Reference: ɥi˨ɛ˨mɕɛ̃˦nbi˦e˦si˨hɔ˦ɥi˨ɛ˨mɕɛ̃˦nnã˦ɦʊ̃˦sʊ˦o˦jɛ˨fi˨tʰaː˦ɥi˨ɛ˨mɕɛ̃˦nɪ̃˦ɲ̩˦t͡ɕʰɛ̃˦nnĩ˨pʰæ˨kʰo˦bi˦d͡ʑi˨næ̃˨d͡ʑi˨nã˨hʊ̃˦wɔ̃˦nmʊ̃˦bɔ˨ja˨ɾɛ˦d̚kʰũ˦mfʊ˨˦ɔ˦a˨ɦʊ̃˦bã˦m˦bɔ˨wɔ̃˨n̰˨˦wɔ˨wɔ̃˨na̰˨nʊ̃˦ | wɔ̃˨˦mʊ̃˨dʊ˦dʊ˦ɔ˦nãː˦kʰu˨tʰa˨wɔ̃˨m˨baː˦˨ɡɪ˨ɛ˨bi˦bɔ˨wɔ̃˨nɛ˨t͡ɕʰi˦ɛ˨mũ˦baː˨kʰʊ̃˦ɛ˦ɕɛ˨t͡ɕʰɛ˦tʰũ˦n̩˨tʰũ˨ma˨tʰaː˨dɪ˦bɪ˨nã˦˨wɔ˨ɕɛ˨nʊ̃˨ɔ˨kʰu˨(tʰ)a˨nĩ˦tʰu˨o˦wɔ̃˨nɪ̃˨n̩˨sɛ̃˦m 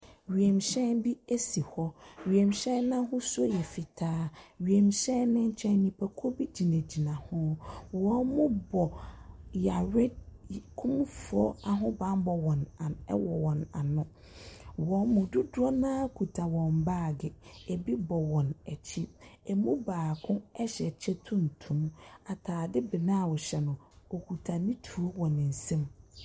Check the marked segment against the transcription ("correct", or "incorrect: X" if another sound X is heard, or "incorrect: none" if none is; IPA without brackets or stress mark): correct